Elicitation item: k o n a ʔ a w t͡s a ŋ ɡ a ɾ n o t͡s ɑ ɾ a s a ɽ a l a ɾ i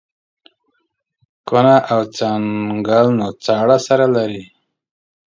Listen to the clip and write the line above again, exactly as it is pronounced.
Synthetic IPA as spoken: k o n a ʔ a w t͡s a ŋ ɡ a l n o t͡s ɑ ɽ a s a ɾ a l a ɾ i